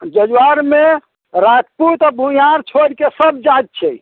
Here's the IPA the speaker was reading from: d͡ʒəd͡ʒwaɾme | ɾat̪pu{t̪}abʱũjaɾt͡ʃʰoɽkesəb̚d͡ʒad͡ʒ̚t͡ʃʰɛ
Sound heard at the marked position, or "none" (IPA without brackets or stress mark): t̪